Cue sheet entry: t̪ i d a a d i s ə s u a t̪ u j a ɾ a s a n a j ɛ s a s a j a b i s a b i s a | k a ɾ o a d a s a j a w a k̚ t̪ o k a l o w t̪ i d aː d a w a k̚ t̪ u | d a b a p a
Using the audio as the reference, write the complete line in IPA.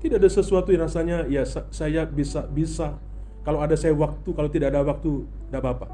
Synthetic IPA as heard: t̪ i d a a d a s ə s u a t̪ u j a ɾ a s a ɲ a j a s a s a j a b i s a b i s a | k a l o a d a s a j a w a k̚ t̪ u k a l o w t̪ i d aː d a w a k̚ t̪ u | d a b a p a